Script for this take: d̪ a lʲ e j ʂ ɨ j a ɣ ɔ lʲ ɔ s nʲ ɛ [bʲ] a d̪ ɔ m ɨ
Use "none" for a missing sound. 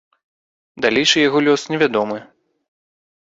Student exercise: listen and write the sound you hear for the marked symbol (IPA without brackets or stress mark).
vʲ